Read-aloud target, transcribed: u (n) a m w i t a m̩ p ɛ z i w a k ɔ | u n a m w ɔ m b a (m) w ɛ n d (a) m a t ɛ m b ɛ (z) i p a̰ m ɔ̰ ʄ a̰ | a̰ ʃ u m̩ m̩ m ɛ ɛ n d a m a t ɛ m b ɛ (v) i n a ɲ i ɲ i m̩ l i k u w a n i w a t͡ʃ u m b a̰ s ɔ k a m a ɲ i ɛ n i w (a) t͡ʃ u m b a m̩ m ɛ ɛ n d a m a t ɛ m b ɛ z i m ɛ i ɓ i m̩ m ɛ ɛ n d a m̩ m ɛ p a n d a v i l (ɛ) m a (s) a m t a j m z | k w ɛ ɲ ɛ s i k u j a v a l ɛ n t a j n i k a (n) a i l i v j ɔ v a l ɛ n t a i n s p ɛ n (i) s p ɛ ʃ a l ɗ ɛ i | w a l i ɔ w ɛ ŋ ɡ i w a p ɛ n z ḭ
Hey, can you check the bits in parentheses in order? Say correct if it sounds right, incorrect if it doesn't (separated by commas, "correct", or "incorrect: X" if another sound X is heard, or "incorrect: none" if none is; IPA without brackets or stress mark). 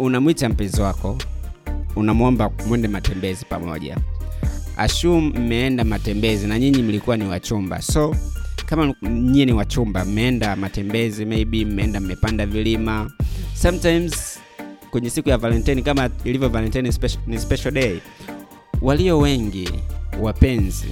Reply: correct, correct, incorrect: ɛ, correct, incorrect: z, correct, incorrect: i, correct, incorrect: m, correct